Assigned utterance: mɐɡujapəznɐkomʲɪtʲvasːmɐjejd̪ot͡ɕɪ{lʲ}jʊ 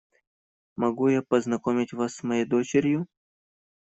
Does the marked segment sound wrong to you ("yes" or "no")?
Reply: yes